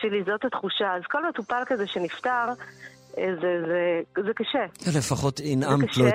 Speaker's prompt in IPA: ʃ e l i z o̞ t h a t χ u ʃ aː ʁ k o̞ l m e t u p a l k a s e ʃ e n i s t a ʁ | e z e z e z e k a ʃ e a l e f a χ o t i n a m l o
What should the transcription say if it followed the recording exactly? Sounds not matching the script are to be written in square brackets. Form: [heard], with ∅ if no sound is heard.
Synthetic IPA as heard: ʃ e l i z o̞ t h a t χ u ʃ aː [z] k o̞ l m e t u p a l k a [z] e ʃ e n i [f] t a ʁ | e z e z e z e k a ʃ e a l e f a χ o t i n a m l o